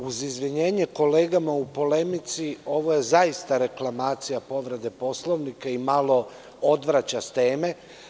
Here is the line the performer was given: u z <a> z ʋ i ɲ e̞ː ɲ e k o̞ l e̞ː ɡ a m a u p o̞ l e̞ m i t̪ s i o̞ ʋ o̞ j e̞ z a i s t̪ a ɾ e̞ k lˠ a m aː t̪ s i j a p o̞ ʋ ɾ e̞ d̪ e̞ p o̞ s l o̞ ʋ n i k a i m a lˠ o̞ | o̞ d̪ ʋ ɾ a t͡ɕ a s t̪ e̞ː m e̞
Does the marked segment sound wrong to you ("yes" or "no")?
yes